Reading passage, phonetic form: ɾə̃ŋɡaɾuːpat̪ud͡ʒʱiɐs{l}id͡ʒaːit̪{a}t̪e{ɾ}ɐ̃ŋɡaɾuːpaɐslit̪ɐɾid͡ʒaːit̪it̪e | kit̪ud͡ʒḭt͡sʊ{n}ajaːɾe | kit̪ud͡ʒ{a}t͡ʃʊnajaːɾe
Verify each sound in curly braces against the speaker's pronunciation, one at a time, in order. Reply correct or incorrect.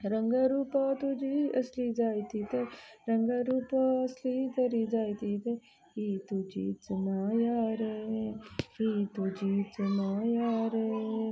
correct, incorrect: i, correct, correct, incorrect: i

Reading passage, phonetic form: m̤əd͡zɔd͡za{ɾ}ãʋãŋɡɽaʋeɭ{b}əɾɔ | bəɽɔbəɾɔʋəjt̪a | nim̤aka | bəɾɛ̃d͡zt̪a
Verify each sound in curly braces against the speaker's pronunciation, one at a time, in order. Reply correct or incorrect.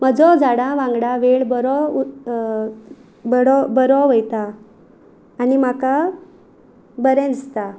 incorrect: ɽ, correct

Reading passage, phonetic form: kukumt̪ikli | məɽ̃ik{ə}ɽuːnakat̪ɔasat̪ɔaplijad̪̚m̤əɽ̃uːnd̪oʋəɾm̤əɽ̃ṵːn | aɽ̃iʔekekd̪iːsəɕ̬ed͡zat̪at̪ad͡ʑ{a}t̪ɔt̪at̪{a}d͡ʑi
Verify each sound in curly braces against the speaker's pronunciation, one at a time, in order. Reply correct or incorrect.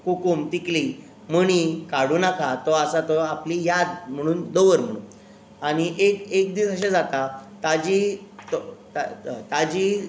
incorrect: a, incorrect: i, correct

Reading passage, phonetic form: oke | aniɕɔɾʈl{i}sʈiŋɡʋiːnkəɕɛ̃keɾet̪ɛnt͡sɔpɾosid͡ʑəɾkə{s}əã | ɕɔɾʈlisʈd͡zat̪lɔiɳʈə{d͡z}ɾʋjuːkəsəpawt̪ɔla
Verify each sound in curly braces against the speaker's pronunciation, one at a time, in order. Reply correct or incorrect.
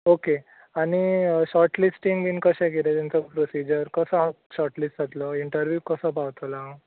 correct, correct, incorrect: none

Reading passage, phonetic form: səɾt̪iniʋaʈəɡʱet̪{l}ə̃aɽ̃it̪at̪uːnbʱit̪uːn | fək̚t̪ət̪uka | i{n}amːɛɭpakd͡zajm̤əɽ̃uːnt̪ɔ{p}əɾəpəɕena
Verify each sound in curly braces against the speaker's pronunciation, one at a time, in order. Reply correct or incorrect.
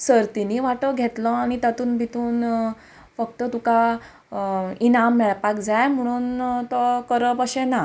correct, correct, incorrect: k

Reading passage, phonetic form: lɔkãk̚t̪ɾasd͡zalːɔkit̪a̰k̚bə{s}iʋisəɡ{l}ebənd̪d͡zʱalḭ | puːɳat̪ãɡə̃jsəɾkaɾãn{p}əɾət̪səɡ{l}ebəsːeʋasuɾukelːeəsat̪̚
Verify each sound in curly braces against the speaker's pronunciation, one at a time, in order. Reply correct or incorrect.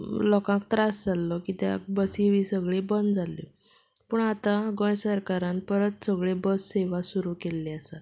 correct, incorrect: ɭ, correct, incorrect: ɭ

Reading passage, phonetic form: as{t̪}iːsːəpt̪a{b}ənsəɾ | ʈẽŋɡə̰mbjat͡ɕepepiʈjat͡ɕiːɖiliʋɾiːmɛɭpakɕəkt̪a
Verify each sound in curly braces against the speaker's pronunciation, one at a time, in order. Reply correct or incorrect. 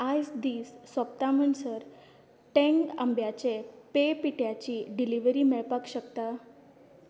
incorrect: d̪, incorrect: m

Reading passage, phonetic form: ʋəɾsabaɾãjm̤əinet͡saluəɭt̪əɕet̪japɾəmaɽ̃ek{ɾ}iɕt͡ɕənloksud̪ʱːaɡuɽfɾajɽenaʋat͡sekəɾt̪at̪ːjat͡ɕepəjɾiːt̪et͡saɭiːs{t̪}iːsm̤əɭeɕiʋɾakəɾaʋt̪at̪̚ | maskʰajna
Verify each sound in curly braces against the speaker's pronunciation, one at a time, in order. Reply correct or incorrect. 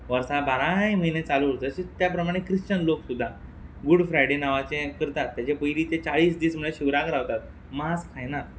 correct, incorrect: d̪

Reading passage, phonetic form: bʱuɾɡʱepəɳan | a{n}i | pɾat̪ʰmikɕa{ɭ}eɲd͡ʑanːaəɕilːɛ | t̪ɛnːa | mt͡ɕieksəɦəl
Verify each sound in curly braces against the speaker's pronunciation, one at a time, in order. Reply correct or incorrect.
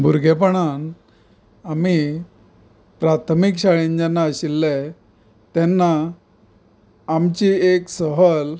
incorrect: m, correct

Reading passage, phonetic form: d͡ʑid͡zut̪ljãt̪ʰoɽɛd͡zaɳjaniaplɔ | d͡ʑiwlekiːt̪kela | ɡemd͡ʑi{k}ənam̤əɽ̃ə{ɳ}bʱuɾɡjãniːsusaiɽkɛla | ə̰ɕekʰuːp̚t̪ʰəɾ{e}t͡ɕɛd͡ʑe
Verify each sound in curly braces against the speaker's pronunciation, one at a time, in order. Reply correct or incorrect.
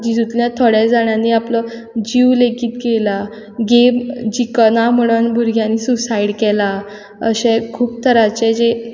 correct, incorrect: n, incorrect: a

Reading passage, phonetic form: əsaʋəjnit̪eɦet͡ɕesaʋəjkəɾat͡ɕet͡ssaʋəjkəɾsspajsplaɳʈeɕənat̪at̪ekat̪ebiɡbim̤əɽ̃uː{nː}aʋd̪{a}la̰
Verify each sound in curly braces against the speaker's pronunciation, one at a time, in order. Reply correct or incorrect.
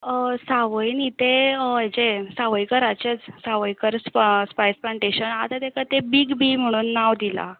correct, incorrect: i

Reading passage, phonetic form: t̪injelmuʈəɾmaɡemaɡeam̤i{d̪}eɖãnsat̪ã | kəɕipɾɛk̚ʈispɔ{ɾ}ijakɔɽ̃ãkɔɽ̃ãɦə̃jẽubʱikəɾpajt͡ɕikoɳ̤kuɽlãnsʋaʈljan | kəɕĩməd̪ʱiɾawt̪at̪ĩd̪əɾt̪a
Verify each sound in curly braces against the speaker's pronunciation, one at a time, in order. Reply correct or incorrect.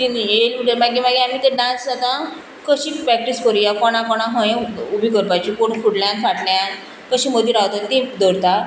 incorrect: t̪, correct

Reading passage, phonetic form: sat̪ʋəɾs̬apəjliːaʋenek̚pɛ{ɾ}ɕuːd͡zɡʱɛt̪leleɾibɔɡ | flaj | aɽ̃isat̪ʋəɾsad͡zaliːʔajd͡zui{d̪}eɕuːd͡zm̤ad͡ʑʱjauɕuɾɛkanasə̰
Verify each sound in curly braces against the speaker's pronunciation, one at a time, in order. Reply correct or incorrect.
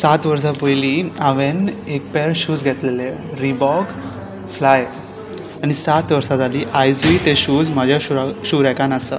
correct, incorrect: t̪

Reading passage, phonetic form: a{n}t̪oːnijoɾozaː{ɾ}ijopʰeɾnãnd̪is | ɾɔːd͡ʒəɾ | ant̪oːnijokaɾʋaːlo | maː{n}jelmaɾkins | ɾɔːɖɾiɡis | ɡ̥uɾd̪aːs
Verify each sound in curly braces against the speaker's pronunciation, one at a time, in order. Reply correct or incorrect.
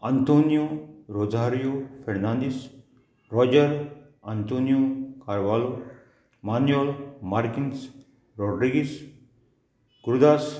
correct, correct, correct

